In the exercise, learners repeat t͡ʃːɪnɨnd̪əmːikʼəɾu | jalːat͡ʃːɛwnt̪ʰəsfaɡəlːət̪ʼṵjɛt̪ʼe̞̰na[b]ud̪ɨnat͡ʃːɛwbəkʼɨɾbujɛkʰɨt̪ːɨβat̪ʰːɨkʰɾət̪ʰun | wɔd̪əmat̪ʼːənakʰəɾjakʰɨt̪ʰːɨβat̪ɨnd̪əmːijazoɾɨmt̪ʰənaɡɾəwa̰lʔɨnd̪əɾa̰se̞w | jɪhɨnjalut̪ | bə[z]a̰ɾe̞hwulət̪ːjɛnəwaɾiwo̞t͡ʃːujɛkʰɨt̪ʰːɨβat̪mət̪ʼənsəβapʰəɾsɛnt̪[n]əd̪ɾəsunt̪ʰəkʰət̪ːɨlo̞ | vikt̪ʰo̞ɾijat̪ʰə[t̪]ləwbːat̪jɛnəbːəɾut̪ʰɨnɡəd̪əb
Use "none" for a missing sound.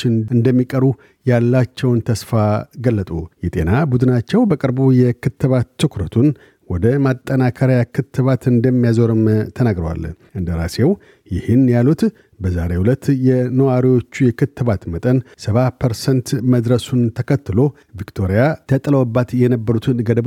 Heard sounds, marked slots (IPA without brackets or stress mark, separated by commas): b, z, m, t̪ʼ